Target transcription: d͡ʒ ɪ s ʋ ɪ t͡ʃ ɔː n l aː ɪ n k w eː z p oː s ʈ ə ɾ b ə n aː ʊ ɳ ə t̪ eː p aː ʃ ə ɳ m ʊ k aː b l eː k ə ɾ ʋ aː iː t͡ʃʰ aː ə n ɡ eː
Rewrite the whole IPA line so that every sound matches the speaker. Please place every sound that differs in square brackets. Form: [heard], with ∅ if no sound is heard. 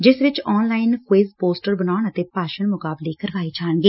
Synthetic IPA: d͡ʒ ɪ s ʋ ɪ t͡ʃ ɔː n l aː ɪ n k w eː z p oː s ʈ ə ɾ b ə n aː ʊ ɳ ə t̪ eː p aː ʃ ə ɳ m ʊ k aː b l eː k ə ɾ ʋ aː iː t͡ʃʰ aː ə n ɡ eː